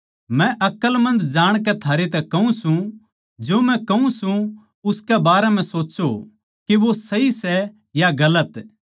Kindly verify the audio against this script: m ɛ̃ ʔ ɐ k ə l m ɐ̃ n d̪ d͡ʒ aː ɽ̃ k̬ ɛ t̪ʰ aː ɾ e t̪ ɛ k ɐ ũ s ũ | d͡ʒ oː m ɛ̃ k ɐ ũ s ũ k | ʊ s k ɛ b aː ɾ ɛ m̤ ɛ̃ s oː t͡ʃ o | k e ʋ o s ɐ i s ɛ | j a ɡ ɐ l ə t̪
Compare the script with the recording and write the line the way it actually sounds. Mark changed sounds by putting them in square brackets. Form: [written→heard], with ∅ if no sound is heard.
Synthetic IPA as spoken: m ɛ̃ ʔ ɐ k ə l m ɐ̃ n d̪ d͡ʒ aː ɽ̃ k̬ ɛ t̪ʰ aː ɾ e t̪ ɛ k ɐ ũ s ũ | d͡ʒ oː m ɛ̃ k ɐ ũ s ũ [k→∅] | ʊ s k ɛ b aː ɾ ɛ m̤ ɛ̃ s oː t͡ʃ o | k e ʋ o s ɐ i s ɛ | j a ɡ ɐ l ə t̪

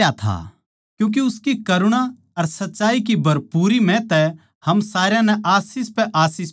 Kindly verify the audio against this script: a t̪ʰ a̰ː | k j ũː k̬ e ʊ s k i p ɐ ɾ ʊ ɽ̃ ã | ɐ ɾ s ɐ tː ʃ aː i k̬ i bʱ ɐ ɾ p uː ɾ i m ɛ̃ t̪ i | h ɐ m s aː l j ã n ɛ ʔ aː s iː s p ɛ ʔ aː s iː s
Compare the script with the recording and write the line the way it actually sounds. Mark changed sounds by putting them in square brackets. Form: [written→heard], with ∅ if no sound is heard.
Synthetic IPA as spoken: a t̪ʰ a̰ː | k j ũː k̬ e ʊ s k i [p→k] ɐ ɾ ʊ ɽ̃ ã | ɐ ɾ s ɐ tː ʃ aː i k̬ i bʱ ɐ ɾ p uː ɾ i m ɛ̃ t̪ [i→ɛ] | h ɐ m s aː [l→ɾ] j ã n ɛ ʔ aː s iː s p ɛ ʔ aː s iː s

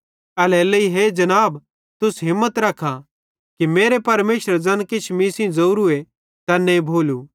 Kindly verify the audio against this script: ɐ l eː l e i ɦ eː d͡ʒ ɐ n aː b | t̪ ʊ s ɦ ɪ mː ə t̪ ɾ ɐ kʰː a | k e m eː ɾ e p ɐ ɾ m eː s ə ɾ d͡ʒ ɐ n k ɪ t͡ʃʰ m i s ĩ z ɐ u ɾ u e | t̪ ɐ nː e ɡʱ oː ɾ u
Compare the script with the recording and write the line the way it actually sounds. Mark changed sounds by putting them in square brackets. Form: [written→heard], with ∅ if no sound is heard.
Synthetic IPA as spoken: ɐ l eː l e i ɦ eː d͡ʒ ɐ n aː b | t̪ ʊ s ɦ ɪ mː ə t̪ ɾ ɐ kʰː a | k [e→i] m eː ɾ e p ɐ ɾ m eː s ə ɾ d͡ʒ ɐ n k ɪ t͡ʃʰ m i s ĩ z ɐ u ɾ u e | t̪ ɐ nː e [ɡʱ→bʱ] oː [ɾ→l] u

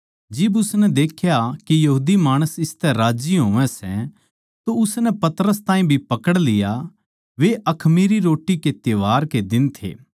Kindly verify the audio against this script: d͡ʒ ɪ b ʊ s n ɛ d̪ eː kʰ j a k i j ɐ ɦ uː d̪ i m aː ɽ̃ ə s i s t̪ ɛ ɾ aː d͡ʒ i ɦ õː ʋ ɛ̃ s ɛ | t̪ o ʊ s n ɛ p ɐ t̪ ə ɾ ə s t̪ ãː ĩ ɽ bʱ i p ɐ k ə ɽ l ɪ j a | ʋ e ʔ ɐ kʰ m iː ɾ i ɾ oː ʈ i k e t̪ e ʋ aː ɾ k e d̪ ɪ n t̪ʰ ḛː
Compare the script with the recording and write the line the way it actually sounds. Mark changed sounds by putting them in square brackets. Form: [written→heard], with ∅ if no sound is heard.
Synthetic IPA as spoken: d͡ʒ ɪ b ʊ s n ɛ d̪ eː kʰ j a k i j ɐ ɦ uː d̪ i m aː ɽ̃ ə s [i→ɪ] s t̪ ɛ ɾ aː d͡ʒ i ɦ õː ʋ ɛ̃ s ɛ | t̪ o ʊ s n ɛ p ɐ t̪ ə ɾ ə s t̪ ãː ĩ [ɽ→∅] bʱ i p ɐ k ə ɽ l ɪ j a | ʋ e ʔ ɐ kʰ m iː ɾ i ɾ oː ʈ i k e t̪ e ʋ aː ɾ k e d̪ ɪ n t̪ʰ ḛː

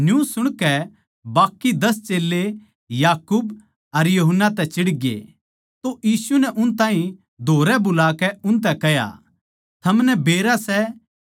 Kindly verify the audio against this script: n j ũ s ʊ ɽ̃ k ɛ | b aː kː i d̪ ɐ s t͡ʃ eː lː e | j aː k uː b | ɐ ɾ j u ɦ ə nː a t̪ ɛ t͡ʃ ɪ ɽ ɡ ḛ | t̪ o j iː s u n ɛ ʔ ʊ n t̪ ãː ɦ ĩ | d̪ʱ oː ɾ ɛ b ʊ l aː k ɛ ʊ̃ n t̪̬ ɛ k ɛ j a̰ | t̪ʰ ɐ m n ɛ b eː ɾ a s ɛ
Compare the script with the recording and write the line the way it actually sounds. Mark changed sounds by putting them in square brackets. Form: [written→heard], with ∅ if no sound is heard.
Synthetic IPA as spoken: n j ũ s ʊ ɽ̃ k ɛ | b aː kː i d̪ ɐ s t͡ʃ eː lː e | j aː k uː b | ɐ ɾ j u ɦ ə nː a t̪ ɛ t͡ʃ ɪ ɽ ɡ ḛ | t̪ o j iː s u n ɛ ʔ ʊ n t̪ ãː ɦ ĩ | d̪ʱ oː ɾ ɛ b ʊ l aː k ɛ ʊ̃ n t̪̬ ɛ k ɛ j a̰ | t̪ʰ ɐ m n ɛ b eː ɾ a s ɛ

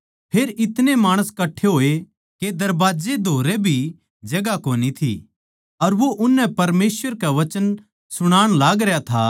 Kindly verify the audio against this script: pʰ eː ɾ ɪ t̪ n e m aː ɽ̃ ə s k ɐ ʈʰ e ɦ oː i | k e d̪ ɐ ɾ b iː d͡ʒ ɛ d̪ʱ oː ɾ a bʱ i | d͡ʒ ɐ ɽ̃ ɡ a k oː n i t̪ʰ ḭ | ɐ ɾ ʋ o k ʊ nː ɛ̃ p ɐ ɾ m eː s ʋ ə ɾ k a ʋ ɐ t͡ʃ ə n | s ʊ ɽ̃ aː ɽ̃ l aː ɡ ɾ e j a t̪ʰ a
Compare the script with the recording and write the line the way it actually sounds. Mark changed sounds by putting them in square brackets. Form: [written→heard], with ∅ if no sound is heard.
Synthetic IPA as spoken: pʰ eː ɾ ɪ t̪ n e m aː ɽ̃ ə s k ɐ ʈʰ e ɦ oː [i→e] | k e d̪ ɐ ɾ b [iː→aː] d͡ʒ [ɛ→e] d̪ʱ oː ɾ [a→e] bʱ i | d͡ʒ ɐ [ɽ̃→∅] ɡ a k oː n i t̪ʰ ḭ | ɐ ɾ ʋ o [k→ʔ] ʊ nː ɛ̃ p ɐ ɾ m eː s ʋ ə ɾ k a ʋ ɐ t͡ʃ ə n | s ʊ ɽ̃ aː ɽ̃ l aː ɡ ɾ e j a t̪ʰ a

